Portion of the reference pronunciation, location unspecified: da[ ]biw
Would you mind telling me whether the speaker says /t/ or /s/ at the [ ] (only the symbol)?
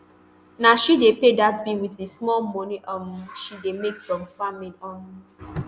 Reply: t